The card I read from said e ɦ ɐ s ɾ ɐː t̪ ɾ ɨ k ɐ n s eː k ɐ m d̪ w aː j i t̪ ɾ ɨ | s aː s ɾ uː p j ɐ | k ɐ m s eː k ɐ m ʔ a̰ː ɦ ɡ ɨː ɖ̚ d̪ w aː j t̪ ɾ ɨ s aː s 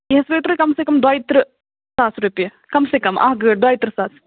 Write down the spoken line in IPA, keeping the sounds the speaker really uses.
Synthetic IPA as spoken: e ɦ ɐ s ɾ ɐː t̪ ɾ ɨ k ɐ m s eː k ɐ m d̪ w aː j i t̪ ɾ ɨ | s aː s ɾ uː p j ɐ | k ɐ m s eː k ɐ m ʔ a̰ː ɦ ɡ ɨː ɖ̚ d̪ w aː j t̪ ɾ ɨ s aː s